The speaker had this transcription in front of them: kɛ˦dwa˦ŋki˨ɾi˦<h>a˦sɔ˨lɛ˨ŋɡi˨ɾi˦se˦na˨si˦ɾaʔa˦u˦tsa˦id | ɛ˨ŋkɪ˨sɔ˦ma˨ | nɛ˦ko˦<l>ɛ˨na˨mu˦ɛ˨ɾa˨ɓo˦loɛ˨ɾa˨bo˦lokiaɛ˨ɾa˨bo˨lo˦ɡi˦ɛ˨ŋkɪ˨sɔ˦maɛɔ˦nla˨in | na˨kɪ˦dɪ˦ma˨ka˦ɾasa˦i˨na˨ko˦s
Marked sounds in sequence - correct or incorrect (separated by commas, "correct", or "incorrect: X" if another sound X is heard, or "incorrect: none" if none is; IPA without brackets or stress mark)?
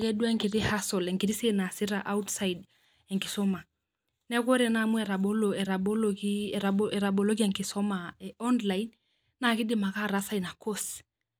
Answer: correct, incorrect: ɾ